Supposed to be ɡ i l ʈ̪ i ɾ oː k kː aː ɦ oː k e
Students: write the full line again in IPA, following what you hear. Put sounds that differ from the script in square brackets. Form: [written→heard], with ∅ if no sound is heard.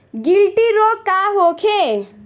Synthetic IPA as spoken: ɡ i l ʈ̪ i ɾ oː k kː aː ɦ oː [k→kʰ] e